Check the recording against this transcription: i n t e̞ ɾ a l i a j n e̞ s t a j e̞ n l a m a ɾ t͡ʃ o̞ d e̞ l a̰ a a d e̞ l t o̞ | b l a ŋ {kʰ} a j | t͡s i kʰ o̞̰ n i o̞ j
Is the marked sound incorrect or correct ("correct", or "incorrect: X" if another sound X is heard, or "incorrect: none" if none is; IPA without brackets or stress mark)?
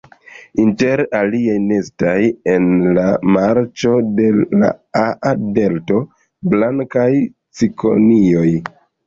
incorrect: k